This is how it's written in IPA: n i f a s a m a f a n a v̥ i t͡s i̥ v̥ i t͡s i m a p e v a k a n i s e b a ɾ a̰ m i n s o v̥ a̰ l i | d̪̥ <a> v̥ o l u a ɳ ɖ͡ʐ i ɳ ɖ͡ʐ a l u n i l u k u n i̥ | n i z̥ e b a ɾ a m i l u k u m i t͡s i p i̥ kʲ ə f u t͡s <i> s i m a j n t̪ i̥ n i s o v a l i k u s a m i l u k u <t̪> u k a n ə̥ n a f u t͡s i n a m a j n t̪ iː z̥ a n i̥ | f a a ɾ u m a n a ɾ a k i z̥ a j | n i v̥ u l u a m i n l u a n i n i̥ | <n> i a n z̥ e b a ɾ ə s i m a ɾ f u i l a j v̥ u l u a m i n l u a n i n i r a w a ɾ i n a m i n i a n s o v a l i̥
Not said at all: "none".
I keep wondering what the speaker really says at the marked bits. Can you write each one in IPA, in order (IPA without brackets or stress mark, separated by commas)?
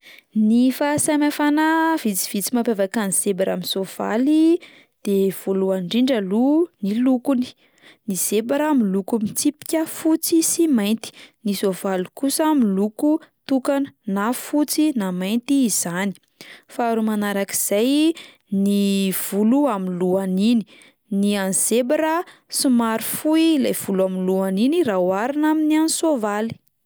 e, i, t̪, n